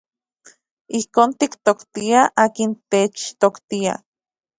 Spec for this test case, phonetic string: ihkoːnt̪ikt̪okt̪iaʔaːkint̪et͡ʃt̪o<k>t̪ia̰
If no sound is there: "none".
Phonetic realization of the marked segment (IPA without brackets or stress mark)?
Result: k